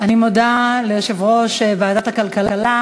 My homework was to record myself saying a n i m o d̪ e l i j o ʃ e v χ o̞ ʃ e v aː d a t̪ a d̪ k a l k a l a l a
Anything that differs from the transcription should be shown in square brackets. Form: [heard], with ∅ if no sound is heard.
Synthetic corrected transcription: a n i m o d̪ [a] l [e] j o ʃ e v [ʁ] o̞ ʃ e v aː d a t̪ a [∅] k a l k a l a l a